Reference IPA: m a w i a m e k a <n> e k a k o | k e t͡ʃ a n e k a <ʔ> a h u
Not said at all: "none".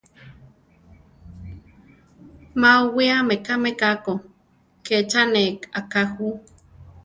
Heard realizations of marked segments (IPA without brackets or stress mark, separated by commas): m, k